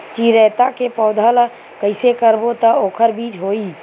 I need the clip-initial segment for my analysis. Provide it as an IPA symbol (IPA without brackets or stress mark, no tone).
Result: t͡ʃ